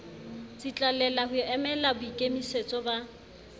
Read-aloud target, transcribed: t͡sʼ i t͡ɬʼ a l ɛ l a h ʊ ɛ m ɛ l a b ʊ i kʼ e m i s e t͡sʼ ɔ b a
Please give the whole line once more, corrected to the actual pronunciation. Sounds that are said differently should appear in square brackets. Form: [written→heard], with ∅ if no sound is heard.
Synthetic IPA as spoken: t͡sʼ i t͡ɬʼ a l ɛ l a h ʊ ɛ m ɛ l a b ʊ i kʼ e m i s e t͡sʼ ɔ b a